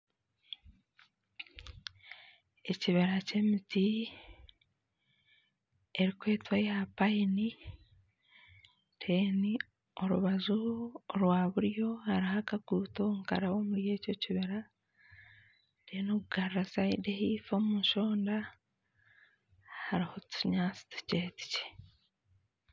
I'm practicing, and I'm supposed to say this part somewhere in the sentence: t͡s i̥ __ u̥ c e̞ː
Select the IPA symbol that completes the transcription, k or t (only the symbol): t